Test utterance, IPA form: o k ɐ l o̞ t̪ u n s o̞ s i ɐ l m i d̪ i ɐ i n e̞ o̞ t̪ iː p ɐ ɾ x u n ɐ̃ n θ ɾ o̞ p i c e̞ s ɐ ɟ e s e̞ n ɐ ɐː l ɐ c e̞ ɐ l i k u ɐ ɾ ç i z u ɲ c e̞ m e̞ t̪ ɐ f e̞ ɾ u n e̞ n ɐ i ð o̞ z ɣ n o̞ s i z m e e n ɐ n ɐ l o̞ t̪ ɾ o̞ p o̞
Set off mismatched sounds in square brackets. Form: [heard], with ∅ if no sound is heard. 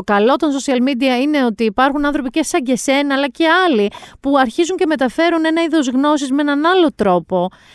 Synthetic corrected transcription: o k ɐ l o̞ t̪ [o] n s o̞ s i ɐ l m i d̪ i ɐ i n e̞ o̞ t̪ iː p ɐ ɾ x u n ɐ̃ n θ ɾ o̞ p i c e̞ s ɐ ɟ e s e̞ n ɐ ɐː l ɐ c e̞ ɐ l i [p] u ɐ ɾ ç i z u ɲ c e̞ m e̞ t̪ ɐ f e̞ ɾ u n e̞ n ɐ i ð o̞ z ɣ n o̞ s i z m e e n ɐ n ɐ l o̞ t̪ ɾ o̞ p o̞